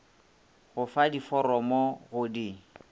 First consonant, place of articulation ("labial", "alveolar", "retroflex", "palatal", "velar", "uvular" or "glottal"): velar